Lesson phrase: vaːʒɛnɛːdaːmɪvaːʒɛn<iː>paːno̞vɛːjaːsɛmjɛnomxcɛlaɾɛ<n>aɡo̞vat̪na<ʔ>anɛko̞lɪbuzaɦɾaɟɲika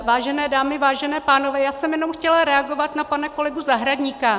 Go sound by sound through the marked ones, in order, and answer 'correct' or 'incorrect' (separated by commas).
incorrect, incorrect, incorrect